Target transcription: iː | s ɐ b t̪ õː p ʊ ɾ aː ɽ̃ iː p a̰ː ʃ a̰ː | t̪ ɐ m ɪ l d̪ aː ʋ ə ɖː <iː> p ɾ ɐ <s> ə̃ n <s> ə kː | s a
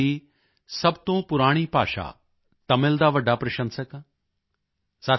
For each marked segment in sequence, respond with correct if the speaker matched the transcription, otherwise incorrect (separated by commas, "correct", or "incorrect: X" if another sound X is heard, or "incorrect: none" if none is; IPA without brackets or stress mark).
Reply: incorrect: aː, incorrect: ʃ, correct